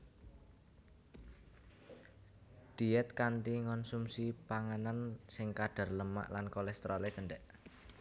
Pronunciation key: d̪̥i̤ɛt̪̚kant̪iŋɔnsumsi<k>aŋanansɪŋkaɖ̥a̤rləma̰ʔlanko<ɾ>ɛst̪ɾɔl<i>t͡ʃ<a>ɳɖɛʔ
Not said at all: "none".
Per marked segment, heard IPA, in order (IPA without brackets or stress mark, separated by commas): p, l, e, ə